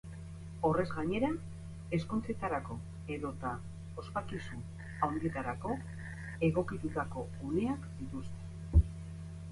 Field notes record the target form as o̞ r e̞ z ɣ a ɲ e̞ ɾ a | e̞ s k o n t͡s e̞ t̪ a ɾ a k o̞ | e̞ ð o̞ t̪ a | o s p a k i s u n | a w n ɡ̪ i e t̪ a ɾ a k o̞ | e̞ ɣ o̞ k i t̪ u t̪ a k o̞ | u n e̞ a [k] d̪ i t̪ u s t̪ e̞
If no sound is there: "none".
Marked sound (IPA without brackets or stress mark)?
k